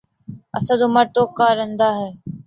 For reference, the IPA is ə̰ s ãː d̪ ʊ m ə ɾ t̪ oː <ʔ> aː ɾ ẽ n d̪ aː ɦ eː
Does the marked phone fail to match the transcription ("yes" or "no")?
yes